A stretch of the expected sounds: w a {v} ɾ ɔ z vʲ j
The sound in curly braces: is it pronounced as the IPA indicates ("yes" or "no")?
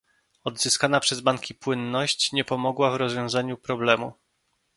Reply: yes